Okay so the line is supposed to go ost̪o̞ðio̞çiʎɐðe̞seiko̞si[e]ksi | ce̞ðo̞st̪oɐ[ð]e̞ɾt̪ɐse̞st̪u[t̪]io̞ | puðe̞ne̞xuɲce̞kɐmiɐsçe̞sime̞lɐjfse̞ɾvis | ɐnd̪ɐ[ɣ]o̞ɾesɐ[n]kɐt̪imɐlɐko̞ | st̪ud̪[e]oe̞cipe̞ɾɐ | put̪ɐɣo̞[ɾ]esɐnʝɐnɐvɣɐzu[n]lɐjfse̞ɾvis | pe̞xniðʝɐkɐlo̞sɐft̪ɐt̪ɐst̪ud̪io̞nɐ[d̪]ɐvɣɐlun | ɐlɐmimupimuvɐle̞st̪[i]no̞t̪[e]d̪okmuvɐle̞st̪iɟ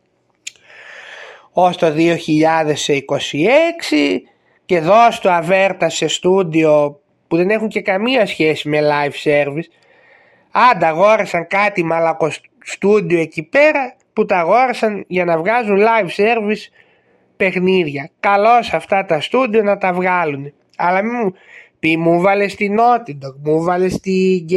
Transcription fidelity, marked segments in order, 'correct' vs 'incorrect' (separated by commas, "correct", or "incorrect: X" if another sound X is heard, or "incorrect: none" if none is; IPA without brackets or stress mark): correct, incorrect: v, incorrect: d̪, correct, incorrect: ŋ, incorrect: i, correct, correct, incorrect: t̪, correct, incorrect: i